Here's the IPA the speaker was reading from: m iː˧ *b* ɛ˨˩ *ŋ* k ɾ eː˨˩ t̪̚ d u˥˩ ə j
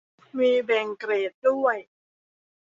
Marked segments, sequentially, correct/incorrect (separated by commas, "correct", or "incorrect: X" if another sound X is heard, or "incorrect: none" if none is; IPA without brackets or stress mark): correct, correct